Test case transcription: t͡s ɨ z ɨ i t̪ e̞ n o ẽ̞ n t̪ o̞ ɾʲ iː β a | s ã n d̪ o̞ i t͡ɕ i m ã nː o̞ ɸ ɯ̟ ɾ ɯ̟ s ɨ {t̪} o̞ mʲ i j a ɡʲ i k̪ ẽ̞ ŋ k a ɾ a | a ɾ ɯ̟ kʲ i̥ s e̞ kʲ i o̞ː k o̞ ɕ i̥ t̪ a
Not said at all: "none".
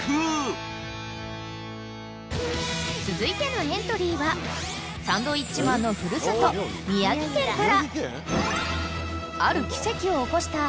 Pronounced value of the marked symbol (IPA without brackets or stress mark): t̪